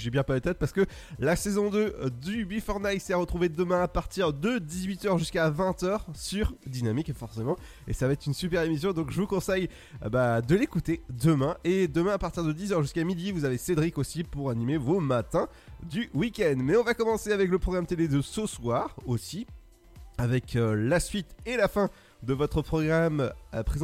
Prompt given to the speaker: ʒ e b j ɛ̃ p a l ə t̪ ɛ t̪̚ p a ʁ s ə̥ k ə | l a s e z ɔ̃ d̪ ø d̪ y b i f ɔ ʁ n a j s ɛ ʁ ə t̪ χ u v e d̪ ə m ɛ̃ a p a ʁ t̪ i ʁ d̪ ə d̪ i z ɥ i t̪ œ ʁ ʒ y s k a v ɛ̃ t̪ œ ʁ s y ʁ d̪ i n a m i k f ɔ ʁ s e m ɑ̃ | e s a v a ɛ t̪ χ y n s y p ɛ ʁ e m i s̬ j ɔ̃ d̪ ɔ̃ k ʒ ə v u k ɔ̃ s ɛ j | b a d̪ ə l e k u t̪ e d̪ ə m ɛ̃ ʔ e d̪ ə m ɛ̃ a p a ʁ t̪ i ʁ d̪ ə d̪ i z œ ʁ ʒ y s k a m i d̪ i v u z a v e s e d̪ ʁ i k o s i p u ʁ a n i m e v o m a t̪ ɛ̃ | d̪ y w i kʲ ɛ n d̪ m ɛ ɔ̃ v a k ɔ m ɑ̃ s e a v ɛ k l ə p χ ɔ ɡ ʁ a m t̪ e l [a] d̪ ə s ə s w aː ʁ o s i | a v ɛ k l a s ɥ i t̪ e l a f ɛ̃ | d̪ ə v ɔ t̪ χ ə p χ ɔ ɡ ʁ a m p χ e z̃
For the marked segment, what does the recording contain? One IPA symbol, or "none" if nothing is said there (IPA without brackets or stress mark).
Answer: e